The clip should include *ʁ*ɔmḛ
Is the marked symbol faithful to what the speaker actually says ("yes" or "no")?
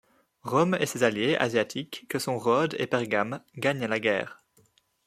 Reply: yes